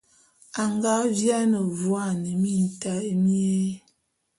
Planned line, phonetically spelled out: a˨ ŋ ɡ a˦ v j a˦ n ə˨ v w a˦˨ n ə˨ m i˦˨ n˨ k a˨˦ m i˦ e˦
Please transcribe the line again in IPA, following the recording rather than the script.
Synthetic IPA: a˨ ŋ ɡ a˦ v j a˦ n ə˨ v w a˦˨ n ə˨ m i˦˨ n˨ t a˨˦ m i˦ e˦